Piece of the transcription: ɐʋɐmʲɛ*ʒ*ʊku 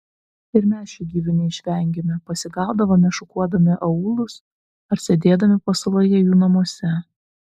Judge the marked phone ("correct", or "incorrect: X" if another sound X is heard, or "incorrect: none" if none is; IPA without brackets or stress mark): incorrect: ʃ